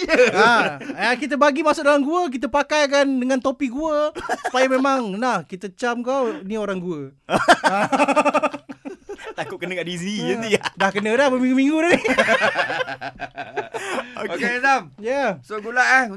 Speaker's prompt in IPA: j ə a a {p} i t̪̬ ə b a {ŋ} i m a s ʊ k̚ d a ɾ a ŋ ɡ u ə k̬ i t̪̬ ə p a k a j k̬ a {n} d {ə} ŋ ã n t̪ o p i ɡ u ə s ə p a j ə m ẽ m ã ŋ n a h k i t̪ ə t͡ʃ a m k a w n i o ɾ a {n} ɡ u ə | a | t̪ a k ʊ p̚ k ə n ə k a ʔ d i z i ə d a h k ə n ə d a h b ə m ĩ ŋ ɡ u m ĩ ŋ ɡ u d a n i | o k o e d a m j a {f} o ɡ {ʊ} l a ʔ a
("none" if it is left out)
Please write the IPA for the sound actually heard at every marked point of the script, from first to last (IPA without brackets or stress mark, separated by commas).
k, ɡ, n, ə, ŋ, s, u